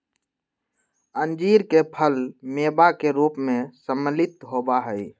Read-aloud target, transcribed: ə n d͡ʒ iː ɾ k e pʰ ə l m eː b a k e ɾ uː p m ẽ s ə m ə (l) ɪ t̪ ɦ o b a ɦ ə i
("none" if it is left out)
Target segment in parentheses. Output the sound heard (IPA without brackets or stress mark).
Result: l